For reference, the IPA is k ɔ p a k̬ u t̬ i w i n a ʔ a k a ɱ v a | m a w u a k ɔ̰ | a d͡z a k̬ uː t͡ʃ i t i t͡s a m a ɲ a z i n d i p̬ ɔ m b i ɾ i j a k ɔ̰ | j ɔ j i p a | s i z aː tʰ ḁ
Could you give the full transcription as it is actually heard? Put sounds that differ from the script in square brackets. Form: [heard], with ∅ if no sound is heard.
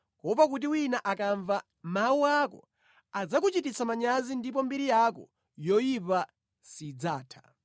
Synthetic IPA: k ɔ p a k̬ u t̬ i w i n a ʔ a k a ɱ v a | m a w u a k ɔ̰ | a d͡z a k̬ [u] t͡ʃ i t i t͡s a m a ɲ a z i n d i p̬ ɔ m b i ɾ i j a k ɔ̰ | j ɔ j i p a | s i [d͡z] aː tʰ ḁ